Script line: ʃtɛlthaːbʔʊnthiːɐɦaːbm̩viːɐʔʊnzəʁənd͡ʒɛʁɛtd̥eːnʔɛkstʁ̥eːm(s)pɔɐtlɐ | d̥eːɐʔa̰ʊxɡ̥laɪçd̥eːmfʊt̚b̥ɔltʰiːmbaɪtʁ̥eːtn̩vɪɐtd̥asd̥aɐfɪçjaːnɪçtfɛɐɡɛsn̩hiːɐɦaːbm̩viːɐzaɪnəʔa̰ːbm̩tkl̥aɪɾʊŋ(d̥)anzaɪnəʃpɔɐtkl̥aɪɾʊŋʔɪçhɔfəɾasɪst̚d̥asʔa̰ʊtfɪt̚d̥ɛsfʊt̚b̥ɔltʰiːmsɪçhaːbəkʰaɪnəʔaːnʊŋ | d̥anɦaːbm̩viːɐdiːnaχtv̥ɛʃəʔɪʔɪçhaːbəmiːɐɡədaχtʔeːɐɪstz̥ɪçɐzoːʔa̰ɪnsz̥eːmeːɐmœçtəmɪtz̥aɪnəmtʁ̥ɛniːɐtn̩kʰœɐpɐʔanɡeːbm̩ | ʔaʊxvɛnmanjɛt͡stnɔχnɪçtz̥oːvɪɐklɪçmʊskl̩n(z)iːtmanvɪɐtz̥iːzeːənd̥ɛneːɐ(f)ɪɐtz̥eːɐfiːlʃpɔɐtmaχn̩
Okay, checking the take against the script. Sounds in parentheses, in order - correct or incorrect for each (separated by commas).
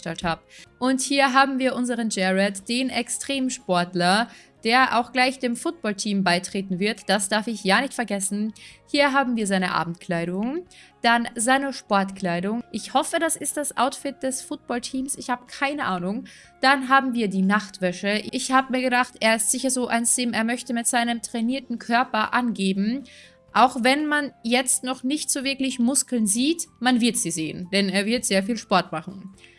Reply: incorrect, correct, correct, incorrect